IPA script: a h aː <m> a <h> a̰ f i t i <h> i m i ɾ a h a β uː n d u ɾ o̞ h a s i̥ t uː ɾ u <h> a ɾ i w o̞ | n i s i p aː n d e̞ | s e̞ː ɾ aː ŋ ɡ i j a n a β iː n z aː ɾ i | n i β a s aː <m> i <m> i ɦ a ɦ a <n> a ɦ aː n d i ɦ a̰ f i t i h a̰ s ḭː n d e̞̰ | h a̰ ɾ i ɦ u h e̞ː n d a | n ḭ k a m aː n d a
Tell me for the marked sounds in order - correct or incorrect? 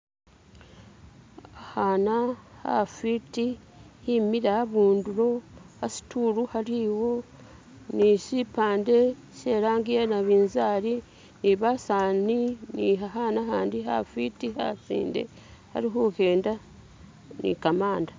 incorrect: n, correct, correct, correct, incorrect: n, incorrect: n, correct

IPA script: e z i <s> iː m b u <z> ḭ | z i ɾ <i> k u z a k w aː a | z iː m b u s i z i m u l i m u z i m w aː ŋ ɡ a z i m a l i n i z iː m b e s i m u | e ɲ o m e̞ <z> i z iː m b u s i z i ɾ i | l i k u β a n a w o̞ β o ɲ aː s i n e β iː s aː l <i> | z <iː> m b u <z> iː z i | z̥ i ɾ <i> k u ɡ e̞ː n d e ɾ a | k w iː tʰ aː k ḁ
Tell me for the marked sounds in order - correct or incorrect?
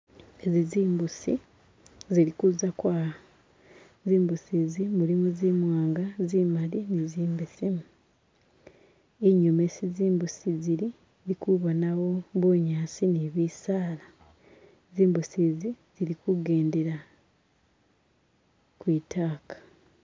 incorrect: z, incorrect: s, correct, incorrect: s, incorrect: a, correct, incorrect: s, correct

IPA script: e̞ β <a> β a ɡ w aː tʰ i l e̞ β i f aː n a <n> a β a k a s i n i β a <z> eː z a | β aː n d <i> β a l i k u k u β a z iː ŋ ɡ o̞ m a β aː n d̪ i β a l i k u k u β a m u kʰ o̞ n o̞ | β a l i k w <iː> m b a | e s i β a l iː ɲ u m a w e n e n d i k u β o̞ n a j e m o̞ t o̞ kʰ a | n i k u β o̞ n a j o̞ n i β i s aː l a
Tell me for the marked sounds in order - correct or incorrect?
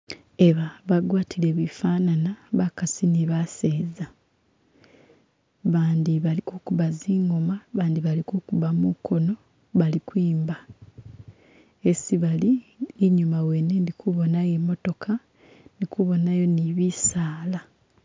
correct, correct, incorrect: s, correct, correct

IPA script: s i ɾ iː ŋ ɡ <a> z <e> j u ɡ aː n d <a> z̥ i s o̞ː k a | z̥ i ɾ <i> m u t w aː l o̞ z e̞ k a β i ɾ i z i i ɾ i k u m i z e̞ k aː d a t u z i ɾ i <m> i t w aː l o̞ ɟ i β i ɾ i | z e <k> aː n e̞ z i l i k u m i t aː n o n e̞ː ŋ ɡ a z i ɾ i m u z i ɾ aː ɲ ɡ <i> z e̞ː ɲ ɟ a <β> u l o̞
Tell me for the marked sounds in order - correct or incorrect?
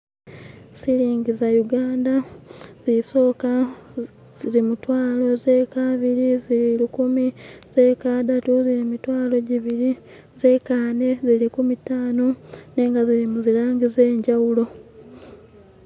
incorrect: i, incorrect: a, correct, correct, correct, correct, correct, incorrect: w

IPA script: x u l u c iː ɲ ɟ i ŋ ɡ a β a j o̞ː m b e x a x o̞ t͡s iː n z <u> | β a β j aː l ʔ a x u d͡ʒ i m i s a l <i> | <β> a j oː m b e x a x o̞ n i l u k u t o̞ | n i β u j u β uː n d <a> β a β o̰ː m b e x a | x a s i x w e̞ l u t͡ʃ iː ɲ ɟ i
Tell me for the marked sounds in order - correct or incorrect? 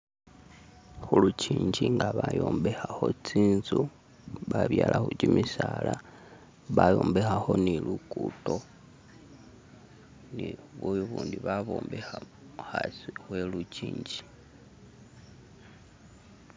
correct, incorrect: a, correct, incorrect: i

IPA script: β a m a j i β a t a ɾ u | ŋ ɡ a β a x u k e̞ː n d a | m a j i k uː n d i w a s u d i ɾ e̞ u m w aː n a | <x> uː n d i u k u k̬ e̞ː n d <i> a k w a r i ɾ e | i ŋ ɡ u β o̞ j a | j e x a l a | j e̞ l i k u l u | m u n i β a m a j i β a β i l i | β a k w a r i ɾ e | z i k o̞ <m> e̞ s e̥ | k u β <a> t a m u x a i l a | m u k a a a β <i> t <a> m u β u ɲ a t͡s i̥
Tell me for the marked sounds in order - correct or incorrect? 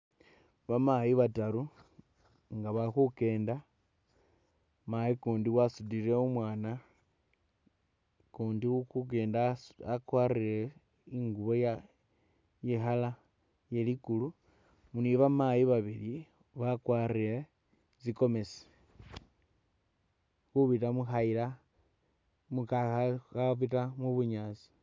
incorrect: k, incorrect: a, correct, incorrect: i, correct, correct

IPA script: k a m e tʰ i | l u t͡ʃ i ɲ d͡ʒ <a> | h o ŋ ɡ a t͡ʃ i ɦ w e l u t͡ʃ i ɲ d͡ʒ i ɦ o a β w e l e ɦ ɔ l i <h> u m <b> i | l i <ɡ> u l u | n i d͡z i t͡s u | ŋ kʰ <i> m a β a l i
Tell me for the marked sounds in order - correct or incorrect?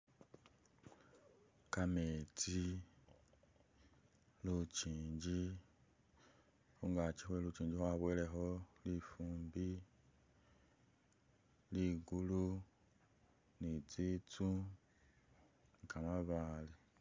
incorrect: i, incorrect: f, correct, correct, incorrect: a

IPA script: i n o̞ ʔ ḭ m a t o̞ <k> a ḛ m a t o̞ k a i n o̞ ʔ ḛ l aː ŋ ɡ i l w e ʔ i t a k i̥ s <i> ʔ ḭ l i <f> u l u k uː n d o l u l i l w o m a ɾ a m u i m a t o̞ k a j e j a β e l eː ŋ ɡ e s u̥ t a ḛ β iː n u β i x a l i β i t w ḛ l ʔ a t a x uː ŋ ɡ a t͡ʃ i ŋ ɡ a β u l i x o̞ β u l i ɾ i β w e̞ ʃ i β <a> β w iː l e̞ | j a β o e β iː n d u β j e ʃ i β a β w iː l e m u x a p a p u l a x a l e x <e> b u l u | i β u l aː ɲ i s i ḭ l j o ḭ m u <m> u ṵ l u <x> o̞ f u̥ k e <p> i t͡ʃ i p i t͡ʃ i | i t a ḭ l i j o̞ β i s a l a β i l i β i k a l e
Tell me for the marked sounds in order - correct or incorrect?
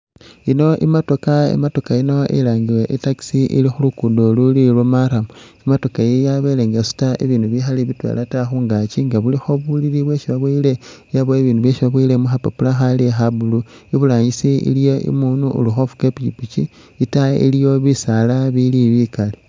correct, correct, incorrect: x, correct, incorrect: a, incorrect: n, correct, correct

